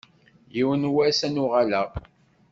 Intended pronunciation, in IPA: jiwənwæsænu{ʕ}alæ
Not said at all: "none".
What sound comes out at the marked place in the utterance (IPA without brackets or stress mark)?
ʁ